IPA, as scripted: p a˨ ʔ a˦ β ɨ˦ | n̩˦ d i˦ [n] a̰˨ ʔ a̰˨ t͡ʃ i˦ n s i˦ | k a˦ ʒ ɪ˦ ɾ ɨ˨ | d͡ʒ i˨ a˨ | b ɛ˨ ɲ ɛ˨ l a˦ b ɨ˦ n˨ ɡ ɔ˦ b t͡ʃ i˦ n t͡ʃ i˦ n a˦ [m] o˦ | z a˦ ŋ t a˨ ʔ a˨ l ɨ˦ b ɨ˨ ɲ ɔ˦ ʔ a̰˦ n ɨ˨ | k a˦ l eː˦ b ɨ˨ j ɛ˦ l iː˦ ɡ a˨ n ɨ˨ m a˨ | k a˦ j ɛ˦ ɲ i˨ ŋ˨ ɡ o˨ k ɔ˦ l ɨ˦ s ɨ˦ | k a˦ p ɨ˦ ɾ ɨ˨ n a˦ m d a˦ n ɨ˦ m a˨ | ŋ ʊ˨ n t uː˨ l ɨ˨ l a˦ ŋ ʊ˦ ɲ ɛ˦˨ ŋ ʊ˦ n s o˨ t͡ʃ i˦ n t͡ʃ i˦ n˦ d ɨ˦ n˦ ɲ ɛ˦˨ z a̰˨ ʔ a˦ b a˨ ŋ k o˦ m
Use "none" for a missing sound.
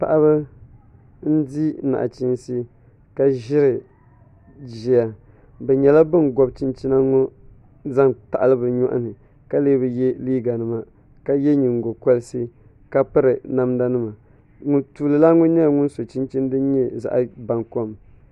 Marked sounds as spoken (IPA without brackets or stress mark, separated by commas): n, ŋ